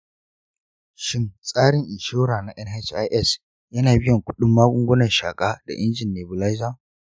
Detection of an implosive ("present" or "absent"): present